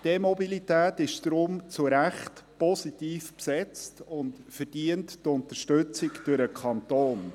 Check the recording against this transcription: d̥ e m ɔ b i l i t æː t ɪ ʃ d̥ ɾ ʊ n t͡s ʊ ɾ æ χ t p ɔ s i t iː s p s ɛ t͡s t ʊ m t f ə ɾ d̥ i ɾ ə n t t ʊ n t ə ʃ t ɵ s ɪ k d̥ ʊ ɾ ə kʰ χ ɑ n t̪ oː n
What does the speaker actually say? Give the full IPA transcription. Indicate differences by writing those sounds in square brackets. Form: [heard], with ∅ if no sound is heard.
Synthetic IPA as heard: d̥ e m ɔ b i l i t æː t ɪ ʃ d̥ ɾ ʊ [m] t͡s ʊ ɾ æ χ t p ɔ s i t iː [f] p s ɛ t͡s t ʊ [n] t f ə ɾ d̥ i [∅] ə n t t ʊ n t ə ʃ t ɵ [t͡s] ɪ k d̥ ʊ ɾ ə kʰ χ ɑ n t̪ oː n

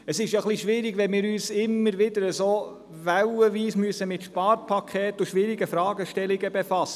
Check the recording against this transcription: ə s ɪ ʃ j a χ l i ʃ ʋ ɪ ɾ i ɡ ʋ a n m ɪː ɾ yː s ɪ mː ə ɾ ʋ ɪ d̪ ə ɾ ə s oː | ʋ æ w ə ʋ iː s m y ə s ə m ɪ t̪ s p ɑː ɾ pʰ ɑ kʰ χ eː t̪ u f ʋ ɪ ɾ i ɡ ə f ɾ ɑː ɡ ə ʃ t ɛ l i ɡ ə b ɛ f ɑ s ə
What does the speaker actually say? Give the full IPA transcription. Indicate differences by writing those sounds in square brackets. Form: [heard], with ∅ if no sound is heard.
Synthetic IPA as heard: ə s ɪ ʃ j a χ l i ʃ ʋ ɪ ɾ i ɡ ʋ [ɛ] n m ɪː ɾ yː s ɪ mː ə ɾ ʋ ɪ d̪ ə ɾ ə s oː | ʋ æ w ə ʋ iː s m y ə s ə m ɪ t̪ [ʃ] p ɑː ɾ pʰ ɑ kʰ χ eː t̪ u [ʃ] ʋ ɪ ɾ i ɡ ə f ɾ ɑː ɡ ə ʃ t ɛ l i ɡ ə b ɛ f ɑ s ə

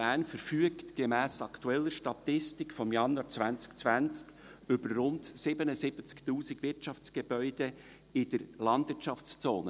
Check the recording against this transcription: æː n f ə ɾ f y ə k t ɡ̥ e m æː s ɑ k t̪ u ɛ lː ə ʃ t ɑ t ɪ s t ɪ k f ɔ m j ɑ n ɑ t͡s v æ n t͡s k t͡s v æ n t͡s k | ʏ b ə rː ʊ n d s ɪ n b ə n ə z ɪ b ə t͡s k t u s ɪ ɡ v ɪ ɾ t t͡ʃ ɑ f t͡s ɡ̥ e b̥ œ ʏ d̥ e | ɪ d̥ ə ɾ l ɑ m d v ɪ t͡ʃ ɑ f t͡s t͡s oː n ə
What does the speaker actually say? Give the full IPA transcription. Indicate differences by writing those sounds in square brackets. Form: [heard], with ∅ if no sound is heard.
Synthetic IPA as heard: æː n f ə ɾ f y ə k t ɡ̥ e m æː s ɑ k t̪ u ɛ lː ə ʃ t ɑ t ɪ s t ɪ k f ɔ m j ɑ n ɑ t͡s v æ n t͡s k t͡s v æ n t͡s k | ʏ b ə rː ʊ n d s ɪ [∅] b ə n ə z ɪ b ə t͡s k t [uː] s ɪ ɡ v ɪ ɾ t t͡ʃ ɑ f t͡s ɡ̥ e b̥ œ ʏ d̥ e | ɪ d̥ ə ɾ l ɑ [n] d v ɪ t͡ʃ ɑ f t͡s t͡s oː n ə

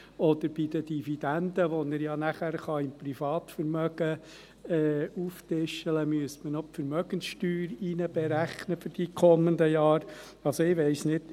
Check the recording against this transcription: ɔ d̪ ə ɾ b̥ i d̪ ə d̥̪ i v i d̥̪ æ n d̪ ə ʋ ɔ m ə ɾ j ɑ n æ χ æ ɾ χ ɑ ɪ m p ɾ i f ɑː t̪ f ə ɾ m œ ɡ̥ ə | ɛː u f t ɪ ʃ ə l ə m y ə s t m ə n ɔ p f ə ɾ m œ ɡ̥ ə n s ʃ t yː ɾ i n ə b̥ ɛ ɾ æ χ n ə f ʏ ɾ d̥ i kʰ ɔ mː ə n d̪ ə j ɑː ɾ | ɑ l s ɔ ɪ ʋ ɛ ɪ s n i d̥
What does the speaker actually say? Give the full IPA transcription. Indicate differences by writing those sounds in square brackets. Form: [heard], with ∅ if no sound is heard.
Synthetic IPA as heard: ɔ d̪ ə ɾ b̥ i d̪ ə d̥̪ i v i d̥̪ æ n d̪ ə ʋ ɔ [n] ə ɾ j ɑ n æ χ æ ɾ χ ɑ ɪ m p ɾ i f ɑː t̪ f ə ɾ m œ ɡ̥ ə | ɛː u f t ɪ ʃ ə l ə m y ə s t m ə n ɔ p f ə ɾ m œ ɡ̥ ə n s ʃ t yː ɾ i n ə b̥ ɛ ɾ æ χ n ə f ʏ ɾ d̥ i kʰ ɔ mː ə n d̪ ə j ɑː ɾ | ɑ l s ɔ ɪ ʋ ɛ ɪ s n [ɪ] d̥

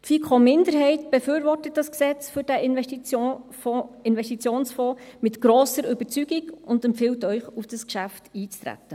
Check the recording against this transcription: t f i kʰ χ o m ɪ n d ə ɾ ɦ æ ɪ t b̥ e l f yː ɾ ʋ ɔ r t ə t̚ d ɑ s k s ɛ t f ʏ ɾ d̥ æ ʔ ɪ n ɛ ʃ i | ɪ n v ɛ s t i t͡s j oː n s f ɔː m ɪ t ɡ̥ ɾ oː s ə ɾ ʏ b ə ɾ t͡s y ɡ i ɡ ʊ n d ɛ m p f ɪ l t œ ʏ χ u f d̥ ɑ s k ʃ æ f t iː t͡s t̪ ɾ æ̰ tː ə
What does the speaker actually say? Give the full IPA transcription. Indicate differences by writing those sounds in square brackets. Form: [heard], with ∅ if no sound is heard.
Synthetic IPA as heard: t f i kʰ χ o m ɪ n d ə ɾ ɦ [ɛ] ɪ t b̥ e [∅] f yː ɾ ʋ ɔ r t ə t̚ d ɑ s k s ɛ [t͡s] f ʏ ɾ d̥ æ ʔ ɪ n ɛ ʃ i | ɪ n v ɛ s t i t͡s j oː n s f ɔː m ɪ t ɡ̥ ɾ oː s ə ɾ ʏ b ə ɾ t͡s y ɡ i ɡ ʊ n d ɛ m p f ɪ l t œ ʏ χ u f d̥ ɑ s k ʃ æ f t iː t͡s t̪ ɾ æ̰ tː ə

